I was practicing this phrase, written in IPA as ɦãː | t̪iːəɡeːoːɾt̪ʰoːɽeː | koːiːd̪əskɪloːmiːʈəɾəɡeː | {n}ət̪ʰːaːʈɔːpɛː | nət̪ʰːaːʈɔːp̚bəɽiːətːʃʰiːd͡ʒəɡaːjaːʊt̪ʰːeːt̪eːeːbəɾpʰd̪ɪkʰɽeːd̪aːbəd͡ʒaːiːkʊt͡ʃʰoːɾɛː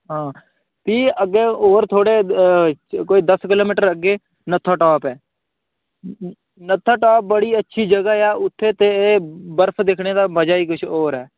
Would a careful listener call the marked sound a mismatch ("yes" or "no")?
no